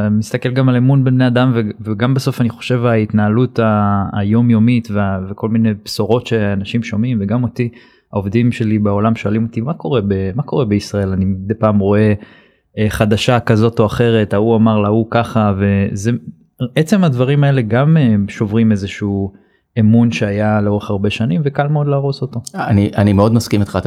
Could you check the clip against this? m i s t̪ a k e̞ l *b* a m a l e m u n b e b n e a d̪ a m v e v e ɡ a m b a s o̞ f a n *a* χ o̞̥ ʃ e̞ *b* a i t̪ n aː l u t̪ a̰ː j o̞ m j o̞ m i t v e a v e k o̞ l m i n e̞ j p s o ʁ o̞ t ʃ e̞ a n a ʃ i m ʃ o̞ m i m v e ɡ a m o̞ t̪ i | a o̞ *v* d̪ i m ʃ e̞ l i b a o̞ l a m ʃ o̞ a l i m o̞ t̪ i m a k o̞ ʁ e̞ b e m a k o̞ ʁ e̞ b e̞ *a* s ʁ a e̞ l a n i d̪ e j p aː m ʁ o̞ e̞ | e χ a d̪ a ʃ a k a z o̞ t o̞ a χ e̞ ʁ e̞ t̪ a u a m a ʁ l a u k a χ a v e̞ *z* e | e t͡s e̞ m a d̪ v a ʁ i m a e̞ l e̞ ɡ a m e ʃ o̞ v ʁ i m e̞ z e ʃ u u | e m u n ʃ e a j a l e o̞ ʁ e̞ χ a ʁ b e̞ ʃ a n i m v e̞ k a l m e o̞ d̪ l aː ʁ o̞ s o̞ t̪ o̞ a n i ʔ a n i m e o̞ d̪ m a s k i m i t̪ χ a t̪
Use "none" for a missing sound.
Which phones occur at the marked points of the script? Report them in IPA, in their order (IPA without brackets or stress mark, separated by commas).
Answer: ɡ, i, v, v, i, z